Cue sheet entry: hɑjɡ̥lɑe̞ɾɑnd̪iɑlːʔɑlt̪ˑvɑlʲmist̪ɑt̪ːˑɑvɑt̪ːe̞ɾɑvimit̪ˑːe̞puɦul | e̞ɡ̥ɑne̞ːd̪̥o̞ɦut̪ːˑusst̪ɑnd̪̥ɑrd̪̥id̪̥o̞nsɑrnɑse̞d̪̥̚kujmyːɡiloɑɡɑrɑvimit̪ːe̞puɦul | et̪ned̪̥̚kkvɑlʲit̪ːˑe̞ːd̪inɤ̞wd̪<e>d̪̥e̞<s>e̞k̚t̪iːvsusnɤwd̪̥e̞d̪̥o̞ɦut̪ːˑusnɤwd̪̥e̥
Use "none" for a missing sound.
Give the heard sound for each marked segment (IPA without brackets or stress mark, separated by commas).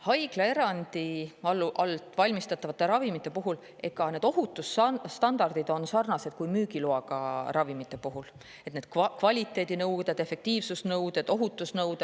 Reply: e, f